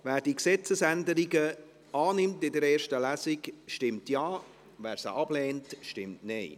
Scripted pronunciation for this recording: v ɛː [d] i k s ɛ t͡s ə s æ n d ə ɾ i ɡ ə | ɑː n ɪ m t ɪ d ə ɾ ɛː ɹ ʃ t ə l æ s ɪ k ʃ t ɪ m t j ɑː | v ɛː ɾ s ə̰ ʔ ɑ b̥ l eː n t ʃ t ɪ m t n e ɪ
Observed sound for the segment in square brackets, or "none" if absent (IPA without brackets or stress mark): d